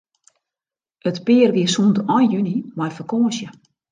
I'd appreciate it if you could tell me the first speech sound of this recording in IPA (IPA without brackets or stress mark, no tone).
ə